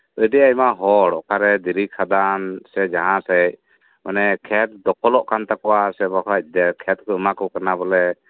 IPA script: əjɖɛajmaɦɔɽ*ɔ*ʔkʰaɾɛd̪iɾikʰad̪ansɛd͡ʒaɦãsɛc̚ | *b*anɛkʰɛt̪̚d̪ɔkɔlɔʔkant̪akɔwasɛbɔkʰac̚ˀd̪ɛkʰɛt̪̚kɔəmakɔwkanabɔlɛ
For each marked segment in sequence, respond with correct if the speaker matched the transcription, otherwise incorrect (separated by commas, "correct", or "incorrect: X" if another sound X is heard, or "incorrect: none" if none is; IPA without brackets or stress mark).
correct, incorrect: m